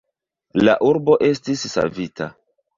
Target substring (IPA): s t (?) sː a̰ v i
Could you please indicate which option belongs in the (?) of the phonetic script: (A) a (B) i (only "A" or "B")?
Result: B